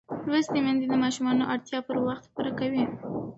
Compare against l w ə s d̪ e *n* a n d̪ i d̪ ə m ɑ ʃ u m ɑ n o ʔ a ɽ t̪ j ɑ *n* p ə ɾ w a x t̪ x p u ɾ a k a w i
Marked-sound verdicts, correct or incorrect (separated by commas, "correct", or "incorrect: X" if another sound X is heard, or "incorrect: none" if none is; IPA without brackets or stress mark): incorrect: m, incorrect: none